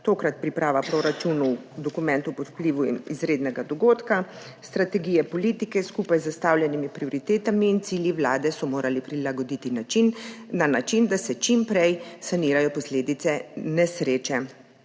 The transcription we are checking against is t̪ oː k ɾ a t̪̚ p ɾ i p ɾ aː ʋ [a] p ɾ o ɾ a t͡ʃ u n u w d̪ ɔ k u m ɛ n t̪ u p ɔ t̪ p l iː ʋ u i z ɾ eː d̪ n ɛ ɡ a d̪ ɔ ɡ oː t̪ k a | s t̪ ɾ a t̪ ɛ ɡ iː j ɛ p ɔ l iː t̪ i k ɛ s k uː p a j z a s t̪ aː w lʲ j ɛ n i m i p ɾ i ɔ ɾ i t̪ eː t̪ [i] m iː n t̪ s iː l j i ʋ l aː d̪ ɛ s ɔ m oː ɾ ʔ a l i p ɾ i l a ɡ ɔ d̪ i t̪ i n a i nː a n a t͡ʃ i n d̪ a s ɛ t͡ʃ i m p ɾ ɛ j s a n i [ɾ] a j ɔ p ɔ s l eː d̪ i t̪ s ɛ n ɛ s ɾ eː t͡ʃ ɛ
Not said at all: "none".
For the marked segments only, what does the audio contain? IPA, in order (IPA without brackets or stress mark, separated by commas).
a, a, ɾ